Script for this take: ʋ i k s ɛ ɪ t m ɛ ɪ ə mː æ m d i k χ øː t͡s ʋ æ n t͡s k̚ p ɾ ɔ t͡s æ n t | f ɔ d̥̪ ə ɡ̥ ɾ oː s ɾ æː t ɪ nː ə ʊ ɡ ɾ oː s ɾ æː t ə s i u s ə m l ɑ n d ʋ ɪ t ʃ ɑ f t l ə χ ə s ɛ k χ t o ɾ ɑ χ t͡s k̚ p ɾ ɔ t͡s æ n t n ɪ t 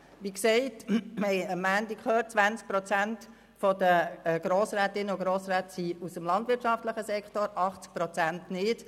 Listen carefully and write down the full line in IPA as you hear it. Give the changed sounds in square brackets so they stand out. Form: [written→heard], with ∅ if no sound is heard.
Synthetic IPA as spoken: ʋ i k s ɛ ɪ t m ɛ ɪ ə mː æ [m→n] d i k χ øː t͡s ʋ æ n t͡s k̚ p ɾ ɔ t͡s æ n t | f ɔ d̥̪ ə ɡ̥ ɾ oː s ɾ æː t ɪ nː ə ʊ ɡ ɾ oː s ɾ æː t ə s i u s ə m l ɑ n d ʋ ɪ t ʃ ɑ f t l ə χ ə s ɛ k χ t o ɾ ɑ χ t͡s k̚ p ɾ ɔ t͡s æ n t n ɪ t